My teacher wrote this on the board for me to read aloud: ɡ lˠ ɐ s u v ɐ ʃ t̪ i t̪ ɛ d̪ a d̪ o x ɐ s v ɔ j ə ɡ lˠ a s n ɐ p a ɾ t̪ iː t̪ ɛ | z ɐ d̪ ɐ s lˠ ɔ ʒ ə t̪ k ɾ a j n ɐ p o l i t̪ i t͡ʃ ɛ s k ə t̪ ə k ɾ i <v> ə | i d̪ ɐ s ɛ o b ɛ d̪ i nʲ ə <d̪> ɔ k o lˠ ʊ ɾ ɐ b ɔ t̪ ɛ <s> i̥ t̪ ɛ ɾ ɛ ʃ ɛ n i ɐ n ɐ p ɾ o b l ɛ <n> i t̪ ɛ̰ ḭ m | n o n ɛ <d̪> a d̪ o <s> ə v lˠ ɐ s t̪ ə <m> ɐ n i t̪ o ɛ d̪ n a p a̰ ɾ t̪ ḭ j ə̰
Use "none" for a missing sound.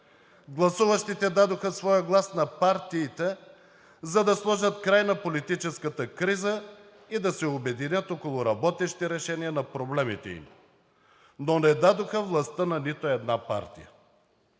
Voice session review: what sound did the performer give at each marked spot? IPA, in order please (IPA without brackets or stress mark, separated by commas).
z, t̪, ʃ, m, d̪, x, n